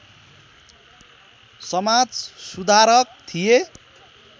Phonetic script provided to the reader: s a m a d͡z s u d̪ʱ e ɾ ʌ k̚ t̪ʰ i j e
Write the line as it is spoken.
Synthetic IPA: s ʌ m a d͡z s u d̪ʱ a ɾ ʌ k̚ t̪ʰ i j e